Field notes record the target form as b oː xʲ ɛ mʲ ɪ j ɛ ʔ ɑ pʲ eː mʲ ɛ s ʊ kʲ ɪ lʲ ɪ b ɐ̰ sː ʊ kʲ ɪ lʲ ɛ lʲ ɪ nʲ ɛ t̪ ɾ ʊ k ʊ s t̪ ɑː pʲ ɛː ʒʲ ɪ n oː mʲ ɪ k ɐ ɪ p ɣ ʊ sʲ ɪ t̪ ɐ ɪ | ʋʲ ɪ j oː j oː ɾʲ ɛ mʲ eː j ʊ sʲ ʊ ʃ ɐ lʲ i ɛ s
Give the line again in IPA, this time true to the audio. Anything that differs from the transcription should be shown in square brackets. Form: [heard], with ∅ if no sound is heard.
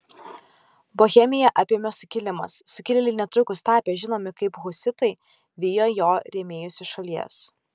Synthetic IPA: b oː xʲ ɛ mʲ ɪ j ɛ ʔ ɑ pʲ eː mʲ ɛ s ʊ kʲ ɪ lʲ ɪ [m] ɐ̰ sː ʊ kʲ ɪ lʲ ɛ lʲ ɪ nʲ ɛ t̪ ɾ ʊ k ʊ s t̪ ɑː pʲ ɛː ʒʲ ɪ n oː mʲ ɪ k ɐ ɪ p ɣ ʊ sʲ ɪ t̪ ɐ ɪ | ʋʲ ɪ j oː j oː ɾʲ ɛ mʲ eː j ʊ sʲ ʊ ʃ ɐ lʲ i ɛ s